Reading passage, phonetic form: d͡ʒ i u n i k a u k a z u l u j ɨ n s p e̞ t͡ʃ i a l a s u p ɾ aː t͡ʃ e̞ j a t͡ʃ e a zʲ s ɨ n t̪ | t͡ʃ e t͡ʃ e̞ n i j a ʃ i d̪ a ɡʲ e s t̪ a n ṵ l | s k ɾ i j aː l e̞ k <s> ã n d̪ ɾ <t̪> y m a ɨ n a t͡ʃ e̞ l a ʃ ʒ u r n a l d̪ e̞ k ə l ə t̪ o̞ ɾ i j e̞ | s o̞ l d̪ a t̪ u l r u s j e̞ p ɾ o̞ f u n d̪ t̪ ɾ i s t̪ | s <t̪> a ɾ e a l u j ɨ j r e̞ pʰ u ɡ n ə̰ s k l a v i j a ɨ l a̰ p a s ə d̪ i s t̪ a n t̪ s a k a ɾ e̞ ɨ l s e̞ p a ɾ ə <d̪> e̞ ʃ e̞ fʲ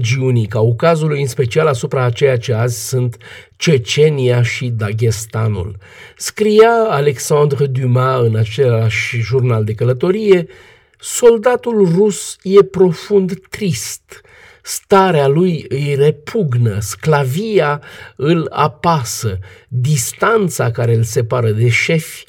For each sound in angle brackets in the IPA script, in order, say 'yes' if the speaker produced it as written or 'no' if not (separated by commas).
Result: yes, no, yes, yes